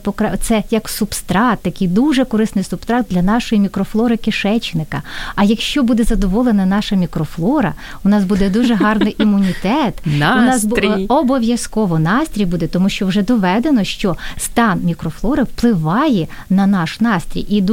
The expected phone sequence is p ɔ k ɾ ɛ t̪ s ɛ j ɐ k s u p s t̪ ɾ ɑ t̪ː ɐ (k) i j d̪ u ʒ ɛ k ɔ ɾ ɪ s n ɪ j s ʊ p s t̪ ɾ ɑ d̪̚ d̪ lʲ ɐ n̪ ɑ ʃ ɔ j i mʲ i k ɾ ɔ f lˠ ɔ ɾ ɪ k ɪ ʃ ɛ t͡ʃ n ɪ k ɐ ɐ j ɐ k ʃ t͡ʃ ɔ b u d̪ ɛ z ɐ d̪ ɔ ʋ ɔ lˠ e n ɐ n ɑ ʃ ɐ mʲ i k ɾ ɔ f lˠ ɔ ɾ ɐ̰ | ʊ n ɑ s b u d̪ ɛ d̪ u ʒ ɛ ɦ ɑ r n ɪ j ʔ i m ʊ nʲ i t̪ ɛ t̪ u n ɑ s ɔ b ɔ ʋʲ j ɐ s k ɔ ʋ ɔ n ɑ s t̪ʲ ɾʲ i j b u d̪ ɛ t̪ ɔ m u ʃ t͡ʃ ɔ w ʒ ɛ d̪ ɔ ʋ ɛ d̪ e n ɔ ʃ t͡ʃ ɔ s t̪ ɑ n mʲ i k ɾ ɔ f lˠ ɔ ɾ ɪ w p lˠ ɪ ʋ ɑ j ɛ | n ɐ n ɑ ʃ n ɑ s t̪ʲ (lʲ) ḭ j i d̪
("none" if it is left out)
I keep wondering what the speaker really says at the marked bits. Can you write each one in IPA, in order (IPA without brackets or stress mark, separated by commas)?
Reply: k, ɾʲ